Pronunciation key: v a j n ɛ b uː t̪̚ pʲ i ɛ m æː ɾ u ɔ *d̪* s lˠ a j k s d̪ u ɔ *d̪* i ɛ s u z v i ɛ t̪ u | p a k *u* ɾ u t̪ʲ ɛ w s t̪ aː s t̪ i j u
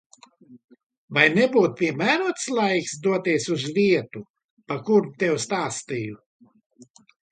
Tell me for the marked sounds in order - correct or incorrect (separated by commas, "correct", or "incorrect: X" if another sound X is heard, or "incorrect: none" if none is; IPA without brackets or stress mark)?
incorrect: t̪, incorrect: t̪, correct